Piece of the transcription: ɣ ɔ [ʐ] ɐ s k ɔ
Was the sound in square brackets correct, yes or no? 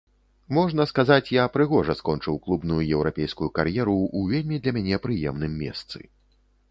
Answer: yes